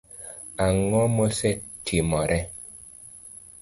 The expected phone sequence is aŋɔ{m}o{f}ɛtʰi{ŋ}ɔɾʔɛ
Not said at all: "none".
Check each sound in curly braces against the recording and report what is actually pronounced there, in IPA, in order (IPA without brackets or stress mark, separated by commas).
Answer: m, s, m